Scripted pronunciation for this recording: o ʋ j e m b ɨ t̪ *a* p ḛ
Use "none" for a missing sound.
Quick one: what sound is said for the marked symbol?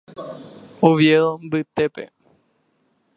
e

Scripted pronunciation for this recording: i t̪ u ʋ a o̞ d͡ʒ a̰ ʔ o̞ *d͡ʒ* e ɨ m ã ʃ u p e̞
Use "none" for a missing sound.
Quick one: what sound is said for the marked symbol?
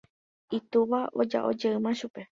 d͡ʒ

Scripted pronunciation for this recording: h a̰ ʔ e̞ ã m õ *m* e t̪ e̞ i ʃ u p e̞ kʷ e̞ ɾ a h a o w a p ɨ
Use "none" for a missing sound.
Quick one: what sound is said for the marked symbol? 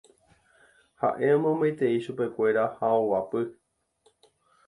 m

